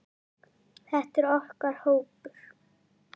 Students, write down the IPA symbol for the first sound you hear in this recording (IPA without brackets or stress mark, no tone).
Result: θ